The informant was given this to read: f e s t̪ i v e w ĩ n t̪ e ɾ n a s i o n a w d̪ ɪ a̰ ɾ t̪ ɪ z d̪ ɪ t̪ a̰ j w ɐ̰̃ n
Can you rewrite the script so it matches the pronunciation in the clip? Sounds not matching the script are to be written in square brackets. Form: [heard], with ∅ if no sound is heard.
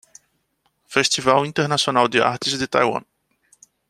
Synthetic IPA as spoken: f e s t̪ i v [a] w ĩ n t̪ e ɾ n a s i o n a w d̪ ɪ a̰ ɾ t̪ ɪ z d̪ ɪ t̪ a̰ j w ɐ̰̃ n